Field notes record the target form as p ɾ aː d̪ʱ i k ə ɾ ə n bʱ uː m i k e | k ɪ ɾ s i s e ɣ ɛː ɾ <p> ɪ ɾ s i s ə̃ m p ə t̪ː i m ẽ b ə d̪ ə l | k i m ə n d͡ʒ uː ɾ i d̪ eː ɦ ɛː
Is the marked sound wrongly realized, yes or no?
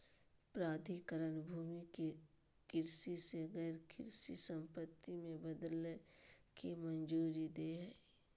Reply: yes